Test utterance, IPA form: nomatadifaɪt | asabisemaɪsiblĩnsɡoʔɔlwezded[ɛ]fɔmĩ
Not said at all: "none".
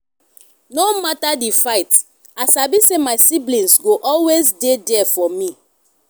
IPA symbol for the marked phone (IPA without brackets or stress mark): ɛ